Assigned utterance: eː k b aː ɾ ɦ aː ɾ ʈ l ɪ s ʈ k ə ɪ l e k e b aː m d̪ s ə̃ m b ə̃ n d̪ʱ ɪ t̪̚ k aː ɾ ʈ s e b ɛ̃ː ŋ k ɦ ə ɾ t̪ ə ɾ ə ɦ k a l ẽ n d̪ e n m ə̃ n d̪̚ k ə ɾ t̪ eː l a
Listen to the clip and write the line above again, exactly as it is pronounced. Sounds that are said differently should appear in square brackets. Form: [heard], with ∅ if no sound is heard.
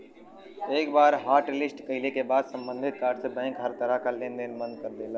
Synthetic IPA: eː k b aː ɾ ɦ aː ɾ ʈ l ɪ s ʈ k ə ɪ l e k e b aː [∅] d̪ s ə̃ m b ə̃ n d̪ʱ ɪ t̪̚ k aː ɾ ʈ s e b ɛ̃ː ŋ k ɦ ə ɾ t̪ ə ɾ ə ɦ k a l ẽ n d̪ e n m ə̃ n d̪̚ k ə ɾ [d̪] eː l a